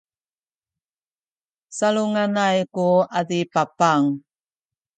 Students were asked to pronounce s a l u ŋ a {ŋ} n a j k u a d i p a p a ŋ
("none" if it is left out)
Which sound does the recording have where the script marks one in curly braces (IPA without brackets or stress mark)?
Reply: none